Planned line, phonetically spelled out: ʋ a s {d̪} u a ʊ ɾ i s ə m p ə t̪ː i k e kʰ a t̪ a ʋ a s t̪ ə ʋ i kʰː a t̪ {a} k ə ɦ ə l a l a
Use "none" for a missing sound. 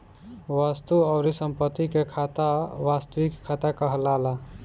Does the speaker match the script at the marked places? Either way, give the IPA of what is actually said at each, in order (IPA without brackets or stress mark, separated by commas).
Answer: t̪, a